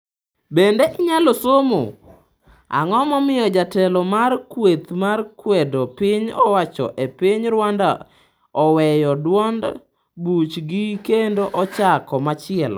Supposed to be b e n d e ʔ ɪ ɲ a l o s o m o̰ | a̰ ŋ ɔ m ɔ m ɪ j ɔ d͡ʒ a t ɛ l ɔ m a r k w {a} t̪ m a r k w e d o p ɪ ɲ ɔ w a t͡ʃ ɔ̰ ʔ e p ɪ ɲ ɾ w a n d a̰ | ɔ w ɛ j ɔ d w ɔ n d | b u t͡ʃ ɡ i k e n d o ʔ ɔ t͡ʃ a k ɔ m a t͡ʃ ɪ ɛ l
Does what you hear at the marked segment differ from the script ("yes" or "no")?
yes